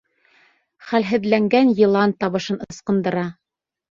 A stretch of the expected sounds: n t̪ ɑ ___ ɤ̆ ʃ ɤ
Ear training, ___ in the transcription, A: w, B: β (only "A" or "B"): B